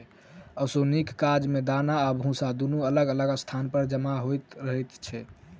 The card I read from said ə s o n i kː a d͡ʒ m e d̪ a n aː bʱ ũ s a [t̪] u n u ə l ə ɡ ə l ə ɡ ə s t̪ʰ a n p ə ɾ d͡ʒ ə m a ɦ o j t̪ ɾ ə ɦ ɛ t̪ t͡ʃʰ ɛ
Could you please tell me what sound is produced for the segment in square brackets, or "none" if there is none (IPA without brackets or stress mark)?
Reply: d̪